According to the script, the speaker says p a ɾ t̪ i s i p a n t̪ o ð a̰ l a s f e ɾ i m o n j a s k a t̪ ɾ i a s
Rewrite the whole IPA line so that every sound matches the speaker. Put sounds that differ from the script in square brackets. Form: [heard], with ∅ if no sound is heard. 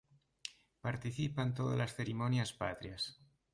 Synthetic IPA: p a ɾ t̪ i [θ] i p a n t̪ o ð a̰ l a s [θ] e ɾ i m o n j a s [p] a t̪ ɾ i a s